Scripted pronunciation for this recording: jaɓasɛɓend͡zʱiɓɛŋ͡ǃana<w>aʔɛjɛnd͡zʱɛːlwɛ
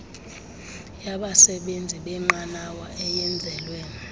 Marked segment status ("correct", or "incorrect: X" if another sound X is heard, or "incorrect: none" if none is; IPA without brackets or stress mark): correct